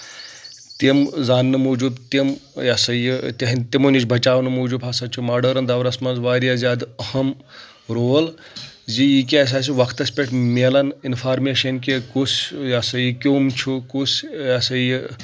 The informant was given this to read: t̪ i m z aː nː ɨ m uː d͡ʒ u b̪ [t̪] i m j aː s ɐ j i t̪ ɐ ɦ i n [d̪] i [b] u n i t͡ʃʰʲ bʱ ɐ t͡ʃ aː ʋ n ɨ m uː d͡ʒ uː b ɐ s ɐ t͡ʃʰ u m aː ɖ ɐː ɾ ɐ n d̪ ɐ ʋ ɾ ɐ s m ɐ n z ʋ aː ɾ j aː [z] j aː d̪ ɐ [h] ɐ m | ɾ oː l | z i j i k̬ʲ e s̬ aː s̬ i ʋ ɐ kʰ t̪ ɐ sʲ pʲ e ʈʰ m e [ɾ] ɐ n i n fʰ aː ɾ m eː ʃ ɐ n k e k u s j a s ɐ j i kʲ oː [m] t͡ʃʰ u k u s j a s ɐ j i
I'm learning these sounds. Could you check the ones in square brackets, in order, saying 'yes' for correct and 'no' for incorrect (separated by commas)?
yes, no, no, yes, yes, no, yes